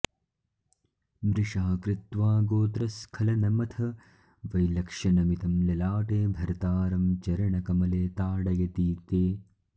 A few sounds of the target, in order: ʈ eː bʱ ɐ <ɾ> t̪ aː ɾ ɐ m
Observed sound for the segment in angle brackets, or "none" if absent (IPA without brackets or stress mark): ɾ